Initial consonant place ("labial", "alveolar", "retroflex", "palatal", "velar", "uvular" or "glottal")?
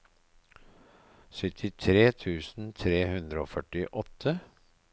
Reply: alveolar